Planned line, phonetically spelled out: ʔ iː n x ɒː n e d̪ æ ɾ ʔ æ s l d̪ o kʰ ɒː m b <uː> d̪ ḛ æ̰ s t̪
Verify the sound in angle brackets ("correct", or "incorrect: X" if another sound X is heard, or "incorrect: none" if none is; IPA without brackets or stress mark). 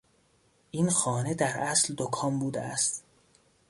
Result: correct